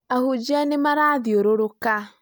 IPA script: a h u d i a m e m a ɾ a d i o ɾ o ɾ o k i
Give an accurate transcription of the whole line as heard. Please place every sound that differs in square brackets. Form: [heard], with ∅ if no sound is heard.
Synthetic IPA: a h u [d͡ʒ] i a [n] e m a ɾ a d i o ɾ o ɾ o k [a]